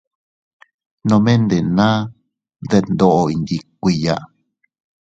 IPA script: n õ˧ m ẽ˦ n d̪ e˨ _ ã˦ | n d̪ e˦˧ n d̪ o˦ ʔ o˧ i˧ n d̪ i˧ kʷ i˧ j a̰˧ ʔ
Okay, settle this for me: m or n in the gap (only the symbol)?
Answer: n